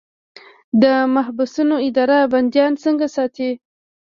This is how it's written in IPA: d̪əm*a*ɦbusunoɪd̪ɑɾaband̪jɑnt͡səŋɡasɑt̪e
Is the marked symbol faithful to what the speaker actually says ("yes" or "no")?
yes